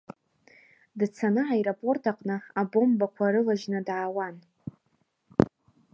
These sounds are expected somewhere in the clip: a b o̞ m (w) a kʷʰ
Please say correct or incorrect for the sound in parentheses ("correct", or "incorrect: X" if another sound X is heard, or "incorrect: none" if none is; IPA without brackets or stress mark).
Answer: incorrect: b